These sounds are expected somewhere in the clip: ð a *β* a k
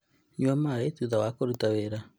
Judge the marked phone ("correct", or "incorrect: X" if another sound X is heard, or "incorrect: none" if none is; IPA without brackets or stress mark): incorrect: w